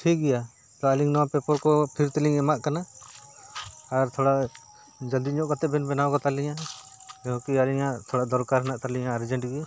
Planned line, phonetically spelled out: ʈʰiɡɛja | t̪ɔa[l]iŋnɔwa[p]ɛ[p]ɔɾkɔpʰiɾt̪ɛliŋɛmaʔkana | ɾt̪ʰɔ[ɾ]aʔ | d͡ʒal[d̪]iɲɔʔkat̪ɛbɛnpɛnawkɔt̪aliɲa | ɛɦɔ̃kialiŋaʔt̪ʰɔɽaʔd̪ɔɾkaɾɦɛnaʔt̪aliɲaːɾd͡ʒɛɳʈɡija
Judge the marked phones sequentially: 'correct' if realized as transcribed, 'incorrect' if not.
correct, correct, correct, incorrect: ɽ, correct

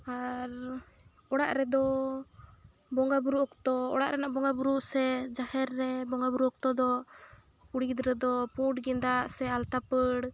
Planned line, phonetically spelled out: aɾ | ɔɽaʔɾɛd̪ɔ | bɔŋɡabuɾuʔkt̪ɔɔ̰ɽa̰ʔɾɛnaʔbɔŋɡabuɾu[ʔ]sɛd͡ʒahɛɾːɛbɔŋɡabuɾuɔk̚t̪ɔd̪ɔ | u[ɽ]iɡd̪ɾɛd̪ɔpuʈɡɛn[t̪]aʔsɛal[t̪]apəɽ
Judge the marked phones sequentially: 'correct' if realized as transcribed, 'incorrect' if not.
correct, correct, incorrect: d̪, correct

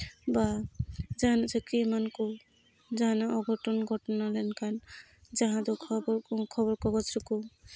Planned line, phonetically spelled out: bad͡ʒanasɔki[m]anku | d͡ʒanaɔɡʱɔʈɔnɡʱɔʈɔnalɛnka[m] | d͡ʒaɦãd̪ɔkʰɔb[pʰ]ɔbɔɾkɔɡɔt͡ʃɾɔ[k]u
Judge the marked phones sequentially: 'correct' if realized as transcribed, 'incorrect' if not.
correct, incorrect: n, incorrect: kʰ, correct

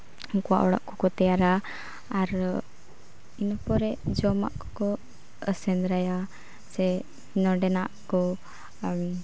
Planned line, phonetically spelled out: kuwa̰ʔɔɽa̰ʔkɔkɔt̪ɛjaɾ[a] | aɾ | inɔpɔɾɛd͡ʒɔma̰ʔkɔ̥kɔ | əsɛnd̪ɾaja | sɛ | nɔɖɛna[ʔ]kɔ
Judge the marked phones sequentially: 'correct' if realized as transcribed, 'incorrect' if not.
correct, correct

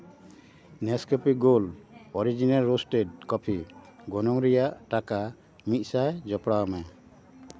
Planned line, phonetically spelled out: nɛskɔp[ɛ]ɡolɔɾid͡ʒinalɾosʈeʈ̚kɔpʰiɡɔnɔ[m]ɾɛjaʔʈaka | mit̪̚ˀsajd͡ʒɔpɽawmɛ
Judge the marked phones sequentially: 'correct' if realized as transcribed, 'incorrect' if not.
incorrect: i, incorrect: ŋ

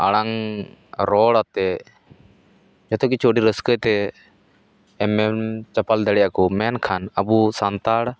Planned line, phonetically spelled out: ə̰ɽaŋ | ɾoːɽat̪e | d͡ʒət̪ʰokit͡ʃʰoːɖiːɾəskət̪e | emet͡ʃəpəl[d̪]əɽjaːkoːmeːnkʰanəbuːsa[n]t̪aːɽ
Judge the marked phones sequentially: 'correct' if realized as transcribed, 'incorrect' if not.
correct, correct

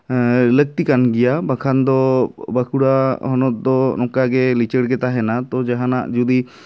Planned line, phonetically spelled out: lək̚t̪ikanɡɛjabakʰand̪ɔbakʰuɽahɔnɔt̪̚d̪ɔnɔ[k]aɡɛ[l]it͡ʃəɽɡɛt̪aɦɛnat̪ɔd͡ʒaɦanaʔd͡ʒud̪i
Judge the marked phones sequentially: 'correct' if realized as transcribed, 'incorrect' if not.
correct, correct

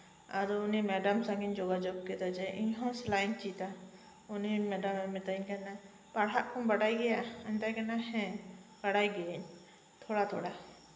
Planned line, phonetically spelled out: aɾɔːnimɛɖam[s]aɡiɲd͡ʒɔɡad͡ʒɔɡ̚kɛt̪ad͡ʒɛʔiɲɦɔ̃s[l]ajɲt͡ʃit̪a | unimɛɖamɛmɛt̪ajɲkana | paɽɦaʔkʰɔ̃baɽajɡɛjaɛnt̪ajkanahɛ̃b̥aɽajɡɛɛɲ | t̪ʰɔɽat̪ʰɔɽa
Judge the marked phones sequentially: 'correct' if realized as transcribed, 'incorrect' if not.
correct, correct

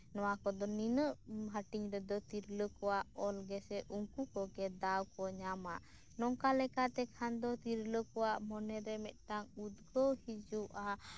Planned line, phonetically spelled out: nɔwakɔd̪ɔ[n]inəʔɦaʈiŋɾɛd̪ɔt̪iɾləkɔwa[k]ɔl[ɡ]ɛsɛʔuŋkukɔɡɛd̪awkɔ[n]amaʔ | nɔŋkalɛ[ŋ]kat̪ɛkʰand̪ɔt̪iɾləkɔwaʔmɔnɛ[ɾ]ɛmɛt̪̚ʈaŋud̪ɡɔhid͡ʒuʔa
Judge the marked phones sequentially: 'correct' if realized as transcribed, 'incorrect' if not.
correct, incorrect: ʔ, correct, incorrect: ɲ, incorrect: none, correct

